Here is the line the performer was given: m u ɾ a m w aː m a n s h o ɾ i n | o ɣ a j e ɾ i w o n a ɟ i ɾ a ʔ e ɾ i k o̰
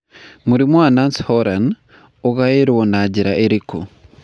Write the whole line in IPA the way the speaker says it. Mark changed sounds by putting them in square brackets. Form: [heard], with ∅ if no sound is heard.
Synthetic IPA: m u ɾ [i] m w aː [n] a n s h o ɾ [a] n | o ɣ a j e ɾ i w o n a ɟ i ɾ a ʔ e ɾ i k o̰